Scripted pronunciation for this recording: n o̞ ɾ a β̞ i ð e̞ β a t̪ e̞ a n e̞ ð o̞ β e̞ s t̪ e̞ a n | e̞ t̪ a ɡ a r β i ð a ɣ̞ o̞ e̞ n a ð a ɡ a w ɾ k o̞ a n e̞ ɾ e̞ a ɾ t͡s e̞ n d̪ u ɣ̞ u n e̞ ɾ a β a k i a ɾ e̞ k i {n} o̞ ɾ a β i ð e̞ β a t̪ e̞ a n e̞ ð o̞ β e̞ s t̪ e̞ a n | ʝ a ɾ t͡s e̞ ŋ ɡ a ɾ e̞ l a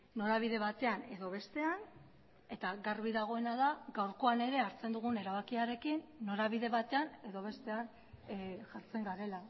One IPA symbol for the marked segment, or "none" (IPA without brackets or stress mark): nː